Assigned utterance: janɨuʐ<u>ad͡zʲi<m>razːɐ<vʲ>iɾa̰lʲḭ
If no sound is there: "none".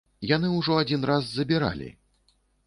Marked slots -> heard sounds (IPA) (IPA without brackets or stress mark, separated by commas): ɔ, n, bʲ